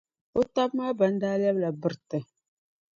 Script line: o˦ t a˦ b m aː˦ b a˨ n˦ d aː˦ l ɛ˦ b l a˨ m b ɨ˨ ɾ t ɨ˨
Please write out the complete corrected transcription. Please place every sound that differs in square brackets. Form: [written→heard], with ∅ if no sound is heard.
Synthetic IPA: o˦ t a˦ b m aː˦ b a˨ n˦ d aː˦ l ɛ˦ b l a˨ [m→∅] b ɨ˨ ɾ t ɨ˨